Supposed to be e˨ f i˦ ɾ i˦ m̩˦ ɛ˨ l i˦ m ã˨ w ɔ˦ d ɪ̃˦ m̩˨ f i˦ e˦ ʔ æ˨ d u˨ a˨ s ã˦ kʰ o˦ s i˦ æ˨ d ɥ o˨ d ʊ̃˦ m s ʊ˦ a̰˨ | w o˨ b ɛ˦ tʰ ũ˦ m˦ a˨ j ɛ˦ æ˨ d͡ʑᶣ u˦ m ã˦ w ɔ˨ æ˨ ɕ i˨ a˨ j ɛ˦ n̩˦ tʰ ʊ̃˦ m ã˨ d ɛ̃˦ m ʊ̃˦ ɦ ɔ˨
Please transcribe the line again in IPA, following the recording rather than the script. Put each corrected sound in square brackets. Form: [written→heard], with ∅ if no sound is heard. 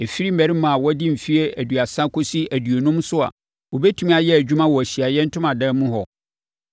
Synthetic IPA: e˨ f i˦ ɾ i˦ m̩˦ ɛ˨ [l→ɾ] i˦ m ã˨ w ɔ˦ d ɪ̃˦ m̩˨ f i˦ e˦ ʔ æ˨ d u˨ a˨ s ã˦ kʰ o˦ s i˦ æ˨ d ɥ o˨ [d→n] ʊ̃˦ m s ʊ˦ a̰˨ | w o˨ b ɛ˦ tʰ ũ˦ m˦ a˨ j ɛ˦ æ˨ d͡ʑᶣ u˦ m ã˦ w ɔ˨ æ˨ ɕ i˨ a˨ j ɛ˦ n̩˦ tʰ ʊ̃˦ m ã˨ d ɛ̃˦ m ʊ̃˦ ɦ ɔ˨